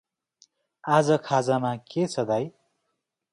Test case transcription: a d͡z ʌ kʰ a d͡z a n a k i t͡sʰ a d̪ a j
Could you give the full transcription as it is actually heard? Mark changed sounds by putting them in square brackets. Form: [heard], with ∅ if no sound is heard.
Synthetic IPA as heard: a d͡z ʌ kʰ a d͡z a [m] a k [e] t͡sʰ [ʌ] d̪ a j